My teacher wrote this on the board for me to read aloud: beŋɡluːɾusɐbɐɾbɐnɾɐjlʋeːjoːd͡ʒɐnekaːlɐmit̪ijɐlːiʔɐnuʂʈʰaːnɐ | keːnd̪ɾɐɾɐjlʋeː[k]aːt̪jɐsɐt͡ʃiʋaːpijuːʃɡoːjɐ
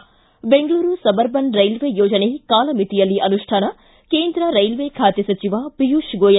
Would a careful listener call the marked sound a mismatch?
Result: yes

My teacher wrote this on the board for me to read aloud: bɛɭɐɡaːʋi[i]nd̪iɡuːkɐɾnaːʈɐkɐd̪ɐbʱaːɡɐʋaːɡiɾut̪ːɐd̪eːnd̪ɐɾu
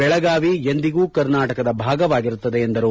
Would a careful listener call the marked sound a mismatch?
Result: yes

